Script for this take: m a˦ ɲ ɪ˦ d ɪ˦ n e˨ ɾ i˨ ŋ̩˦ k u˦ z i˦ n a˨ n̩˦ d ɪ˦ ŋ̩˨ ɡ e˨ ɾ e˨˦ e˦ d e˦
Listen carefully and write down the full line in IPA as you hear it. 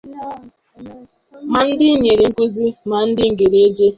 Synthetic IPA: m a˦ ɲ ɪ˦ d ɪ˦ ɲ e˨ ɾ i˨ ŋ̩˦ k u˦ z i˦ m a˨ n̩˦ d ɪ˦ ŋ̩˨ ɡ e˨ ɾ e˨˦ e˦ d͡ʒ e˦